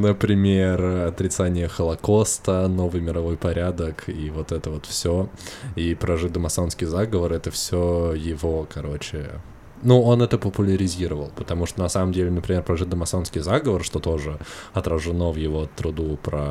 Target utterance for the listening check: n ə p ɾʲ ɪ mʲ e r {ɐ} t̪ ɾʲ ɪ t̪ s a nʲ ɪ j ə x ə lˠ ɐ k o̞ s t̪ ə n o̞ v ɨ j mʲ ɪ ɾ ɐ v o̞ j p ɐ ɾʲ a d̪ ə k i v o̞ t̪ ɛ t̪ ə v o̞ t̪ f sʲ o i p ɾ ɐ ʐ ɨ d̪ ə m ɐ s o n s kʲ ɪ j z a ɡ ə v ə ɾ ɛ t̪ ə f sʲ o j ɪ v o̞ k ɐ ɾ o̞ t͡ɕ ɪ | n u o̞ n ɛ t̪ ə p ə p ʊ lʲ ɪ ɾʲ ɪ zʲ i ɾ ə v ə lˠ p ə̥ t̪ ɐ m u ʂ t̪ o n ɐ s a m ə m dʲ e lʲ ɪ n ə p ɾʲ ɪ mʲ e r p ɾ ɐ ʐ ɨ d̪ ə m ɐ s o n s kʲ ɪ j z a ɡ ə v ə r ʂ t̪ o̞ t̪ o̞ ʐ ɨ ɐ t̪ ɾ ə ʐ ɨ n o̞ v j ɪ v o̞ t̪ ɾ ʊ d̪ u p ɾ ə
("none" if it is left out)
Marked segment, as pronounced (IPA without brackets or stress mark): ɐ